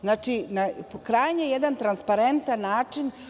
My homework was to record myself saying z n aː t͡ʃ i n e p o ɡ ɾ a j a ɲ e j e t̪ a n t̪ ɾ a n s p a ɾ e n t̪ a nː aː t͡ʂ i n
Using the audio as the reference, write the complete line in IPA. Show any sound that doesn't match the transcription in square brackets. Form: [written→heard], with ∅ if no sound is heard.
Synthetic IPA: z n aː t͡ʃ i n [e→a] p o [ɡ→k] ɾ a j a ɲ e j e [t̪→d̪] a n t̪ ɾ a n s p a ɾ e n t̪ a nː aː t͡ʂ i n